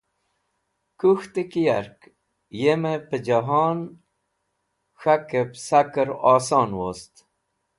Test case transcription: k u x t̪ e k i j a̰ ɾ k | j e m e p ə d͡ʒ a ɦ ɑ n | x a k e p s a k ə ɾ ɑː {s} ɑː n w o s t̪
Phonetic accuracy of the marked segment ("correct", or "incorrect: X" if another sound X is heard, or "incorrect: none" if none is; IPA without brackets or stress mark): correct